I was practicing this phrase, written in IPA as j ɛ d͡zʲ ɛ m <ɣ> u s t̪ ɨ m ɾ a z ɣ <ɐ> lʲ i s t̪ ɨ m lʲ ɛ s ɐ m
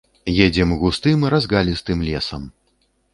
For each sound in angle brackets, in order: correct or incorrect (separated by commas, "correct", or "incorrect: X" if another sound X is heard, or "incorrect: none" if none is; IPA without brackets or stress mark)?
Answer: correct, incorrect: a